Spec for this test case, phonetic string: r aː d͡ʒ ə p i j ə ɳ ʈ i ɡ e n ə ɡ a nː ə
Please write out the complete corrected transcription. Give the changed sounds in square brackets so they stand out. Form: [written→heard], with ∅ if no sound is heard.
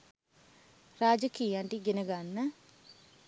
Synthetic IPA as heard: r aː d͡ʒ ə [p→k] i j [ə→a] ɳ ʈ i ɡ e n ə ɡ a nː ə